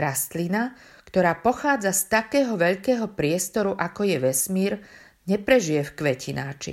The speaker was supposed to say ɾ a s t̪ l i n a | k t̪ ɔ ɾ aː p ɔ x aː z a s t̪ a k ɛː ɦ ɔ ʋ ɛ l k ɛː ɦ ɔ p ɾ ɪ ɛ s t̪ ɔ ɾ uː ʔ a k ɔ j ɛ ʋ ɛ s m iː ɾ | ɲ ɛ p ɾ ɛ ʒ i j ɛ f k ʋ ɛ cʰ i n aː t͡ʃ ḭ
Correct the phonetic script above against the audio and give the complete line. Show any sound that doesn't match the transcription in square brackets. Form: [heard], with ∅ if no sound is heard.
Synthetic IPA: ɾ a s t̪ l i n a | k t̪ ɔ ɾ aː p ɔ x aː [d͡z] a s t̪ a k ɛː ɦ ɔ ʋ ɛ [ʎ] k ɛː ɦ ɔ p ɾ ɪ ɛ s t̪ ɔ ɾ [u] ʔ a k ɔ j ɛ ʋ ɛ s m iː ɾ | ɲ ɛ p ɾ ɛ ʒ i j ɛ f k ʋ ɛ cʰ i n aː t͡ʃ ḭ